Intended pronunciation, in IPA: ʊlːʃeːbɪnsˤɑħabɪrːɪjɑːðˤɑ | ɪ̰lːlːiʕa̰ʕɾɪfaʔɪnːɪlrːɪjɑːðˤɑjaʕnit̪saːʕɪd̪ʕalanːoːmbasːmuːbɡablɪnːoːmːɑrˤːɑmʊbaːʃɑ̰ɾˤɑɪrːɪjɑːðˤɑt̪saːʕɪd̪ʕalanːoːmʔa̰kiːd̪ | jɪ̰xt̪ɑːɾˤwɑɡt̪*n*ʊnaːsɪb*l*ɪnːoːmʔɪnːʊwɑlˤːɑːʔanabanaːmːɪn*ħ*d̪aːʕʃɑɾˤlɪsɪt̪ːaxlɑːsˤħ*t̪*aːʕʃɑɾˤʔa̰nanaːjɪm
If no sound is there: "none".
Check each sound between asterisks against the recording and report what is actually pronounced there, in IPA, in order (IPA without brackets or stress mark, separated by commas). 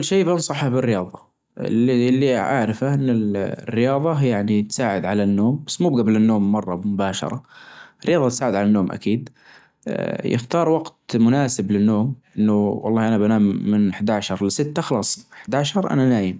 m, l, ħ, d̪